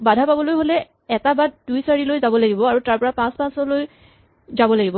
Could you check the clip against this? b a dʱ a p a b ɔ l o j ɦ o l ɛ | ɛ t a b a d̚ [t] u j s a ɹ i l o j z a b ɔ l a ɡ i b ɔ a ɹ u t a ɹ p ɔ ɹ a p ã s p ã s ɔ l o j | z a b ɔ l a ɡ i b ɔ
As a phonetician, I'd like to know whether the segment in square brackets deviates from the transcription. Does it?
yes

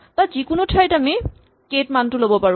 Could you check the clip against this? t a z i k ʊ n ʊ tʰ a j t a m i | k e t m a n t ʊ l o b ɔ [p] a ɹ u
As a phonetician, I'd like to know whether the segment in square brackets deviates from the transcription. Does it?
no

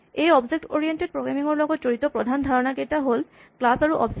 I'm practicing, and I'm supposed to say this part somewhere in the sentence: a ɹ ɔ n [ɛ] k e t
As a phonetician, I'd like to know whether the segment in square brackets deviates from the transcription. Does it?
yes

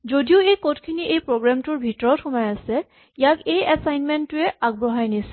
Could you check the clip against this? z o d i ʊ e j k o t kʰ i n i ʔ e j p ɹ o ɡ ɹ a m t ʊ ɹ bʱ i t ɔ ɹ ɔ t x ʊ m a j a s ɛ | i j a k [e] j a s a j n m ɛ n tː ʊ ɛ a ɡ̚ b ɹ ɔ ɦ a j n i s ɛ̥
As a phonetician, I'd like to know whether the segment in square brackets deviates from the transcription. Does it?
no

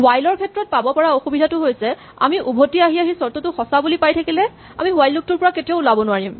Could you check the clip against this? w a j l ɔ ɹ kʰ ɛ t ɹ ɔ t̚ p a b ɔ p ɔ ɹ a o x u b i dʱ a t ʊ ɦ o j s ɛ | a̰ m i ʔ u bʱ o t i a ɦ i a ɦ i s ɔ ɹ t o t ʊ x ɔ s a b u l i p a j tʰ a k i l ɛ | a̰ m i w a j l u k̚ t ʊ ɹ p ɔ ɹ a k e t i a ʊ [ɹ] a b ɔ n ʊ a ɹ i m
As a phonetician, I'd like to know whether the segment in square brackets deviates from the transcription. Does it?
yes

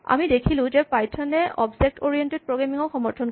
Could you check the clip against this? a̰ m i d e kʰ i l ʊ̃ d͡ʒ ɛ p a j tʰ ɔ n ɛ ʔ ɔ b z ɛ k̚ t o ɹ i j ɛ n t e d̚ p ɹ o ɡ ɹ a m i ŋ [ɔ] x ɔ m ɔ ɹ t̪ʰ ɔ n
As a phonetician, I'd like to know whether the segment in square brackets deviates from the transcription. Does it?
no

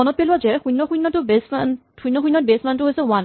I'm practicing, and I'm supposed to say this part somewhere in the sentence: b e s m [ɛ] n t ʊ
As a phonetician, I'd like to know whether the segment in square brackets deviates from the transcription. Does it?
yes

